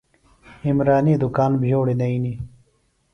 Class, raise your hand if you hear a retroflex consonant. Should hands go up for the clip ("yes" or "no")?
yes